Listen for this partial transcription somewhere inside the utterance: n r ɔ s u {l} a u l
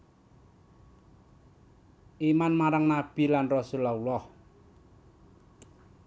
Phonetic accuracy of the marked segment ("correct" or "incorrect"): correct